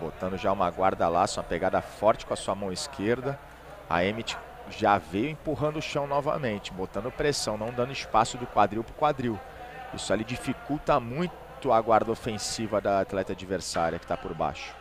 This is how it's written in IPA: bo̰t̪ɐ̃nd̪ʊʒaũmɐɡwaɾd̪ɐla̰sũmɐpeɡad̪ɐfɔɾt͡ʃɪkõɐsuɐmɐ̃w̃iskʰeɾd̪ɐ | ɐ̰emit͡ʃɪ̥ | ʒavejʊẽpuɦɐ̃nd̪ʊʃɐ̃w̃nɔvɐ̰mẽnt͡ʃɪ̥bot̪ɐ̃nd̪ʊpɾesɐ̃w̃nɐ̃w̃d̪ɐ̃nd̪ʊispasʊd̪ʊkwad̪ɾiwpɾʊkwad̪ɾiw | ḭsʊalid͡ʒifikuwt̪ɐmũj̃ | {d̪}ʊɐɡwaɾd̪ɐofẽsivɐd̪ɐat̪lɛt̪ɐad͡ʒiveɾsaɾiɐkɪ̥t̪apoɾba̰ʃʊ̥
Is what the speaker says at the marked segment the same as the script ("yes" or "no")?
no